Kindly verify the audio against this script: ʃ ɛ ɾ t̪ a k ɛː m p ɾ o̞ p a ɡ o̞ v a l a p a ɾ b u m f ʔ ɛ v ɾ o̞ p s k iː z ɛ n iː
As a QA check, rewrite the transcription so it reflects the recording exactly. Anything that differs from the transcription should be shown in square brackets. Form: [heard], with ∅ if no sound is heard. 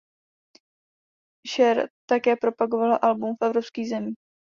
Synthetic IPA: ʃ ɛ ɾ t̪ a k ɛː [∅] p ɾ o̞ p a ɡ o̞ v a l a [ʔ] a [l] b u m f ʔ ɛ v ɾ o̞ p s k iː z ɛ [m] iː